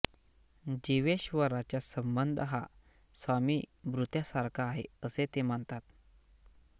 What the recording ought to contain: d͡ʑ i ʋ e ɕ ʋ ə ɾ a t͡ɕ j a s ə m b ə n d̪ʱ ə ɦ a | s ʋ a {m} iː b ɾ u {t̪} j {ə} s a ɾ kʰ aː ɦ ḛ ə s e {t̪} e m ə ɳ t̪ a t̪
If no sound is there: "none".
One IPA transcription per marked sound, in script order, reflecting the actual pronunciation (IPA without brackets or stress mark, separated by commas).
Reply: m, t̪, a, t̪